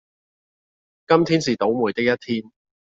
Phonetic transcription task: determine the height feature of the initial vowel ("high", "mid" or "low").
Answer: low